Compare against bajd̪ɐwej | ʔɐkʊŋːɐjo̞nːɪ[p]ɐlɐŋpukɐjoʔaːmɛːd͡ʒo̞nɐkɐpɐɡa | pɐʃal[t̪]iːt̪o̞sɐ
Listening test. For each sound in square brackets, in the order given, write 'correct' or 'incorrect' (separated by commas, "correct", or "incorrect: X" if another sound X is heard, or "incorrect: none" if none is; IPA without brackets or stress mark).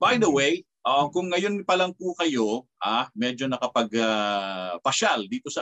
correct, incorrect: d̪